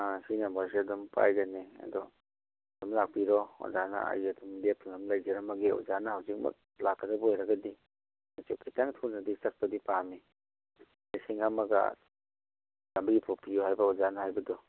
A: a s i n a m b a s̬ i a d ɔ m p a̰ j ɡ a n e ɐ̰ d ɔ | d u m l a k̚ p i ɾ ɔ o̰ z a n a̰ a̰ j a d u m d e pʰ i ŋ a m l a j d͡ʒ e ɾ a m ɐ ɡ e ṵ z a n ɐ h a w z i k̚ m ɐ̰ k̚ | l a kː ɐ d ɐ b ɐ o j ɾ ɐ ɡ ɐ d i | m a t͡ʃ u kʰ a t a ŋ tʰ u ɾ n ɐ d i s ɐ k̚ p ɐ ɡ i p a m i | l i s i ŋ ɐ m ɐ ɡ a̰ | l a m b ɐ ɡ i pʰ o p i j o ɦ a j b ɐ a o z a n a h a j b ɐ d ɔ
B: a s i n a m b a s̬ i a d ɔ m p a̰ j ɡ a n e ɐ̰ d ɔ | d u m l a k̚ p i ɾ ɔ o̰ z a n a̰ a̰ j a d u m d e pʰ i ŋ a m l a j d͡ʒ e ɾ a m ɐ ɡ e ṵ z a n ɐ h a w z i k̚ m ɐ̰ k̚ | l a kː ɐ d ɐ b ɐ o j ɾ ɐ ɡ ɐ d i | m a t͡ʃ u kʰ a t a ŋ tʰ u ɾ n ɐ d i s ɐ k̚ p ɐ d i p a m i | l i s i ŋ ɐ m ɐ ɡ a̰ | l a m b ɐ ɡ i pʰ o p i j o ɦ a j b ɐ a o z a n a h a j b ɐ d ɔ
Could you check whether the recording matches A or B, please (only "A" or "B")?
B